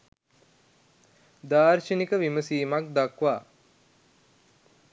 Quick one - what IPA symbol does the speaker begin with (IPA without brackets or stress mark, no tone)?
d̪